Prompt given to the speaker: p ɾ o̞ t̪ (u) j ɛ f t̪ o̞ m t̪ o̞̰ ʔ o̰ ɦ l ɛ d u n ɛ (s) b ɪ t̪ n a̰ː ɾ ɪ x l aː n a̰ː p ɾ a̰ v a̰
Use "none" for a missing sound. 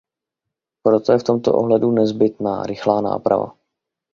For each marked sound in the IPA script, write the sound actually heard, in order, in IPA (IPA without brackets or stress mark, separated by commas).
o, z